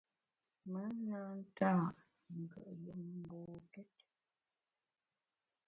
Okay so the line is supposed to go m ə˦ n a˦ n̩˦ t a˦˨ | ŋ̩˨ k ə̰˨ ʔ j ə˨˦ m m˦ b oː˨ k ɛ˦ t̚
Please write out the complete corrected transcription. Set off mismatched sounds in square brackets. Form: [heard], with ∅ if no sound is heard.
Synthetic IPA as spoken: m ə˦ n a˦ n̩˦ t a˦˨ | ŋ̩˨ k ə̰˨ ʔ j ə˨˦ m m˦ b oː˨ k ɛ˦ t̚